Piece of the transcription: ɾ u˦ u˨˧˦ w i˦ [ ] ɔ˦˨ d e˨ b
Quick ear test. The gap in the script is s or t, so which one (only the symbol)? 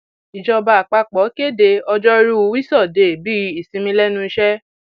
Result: s